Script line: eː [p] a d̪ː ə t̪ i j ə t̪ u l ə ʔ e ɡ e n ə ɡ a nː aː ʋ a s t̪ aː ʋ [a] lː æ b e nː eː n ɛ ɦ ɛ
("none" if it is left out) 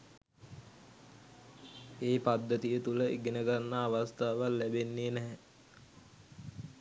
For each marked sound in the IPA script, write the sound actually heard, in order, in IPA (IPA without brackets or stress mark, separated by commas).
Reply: p, a